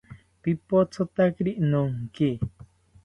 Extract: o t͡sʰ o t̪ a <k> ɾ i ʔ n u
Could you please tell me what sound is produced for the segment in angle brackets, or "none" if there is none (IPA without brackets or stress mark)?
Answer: k